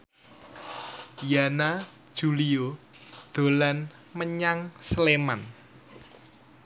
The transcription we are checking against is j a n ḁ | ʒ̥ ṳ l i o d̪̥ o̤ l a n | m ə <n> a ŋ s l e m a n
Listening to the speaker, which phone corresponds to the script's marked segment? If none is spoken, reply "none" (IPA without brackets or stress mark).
ɲ